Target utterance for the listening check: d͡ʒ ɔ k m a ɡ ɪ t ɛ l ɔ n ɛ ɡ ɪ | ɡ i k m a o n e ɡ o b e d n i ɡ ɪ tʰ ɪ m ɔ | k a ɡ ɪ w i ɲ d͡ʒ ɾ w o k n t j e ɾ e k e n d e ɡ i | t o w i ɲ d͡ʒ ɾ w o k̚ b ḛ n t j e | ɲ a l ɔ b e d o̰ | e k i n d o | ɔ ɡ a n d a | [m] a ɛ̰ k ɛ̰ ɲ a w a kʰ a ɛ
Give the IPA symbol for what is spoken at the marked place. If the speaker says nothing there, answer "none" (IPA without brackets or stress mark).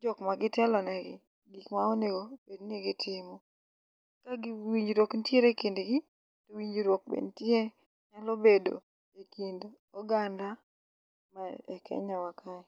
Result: m